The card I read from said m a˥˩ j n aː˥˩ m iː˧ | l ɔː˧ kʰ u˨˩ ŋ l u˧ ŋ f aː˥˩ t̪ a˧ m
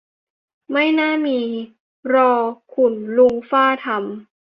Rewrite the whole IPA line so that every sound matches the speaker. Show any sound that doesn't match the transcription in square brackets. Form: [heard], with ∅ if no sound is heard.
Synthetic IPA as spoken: m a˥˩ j n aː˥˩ m iː˧ | [ɾ] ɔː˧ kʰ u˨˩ [n] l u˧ ŋ f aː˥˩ [t̪ʰ] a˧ m